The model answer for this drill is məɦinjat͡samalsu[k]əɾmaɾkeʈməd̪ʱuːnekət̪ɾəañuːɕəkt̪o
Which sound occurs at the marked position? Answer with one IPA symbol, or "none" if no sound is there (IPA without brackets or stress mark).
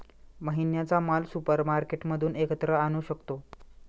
p